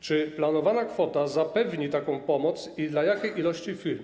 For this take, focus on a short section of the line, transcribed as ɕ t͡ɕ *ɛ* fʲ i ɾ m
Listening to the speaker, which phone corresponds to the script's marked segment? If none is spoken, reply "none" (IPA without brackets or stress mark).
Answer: i